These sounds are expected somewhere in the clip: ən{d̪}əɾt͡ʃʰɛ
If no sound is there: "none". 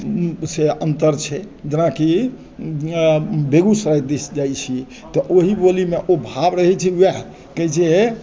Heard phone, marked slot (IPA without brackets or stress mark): t̪